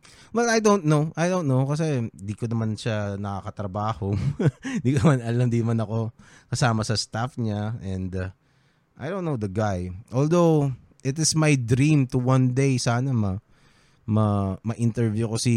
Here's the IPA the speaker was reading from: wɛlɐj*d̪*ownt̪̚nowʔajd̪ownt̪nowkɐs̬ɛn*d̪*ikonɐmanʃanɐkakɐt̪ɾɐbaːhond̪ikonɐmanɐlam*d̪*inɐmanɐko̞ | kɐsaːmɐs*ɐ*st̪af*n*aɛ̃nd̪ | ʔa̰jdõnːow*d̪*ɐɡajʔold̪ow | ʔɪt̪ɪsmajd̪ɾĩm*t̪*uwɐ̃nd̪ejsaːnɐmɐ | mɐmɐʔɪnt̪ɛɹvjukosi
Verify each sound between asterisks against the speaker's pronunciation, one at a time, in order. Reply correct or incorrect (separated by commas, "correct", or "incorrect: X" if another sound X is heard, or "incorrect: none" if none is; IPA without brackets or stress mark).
correct, correct, correct, correct, incorrect: ɲ, correct, correct